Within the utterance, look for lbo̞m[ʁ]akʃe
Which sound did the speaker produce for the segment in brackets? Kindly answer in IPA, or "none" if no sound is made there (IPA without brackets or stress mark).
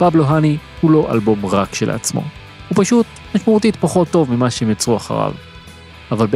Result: ʁ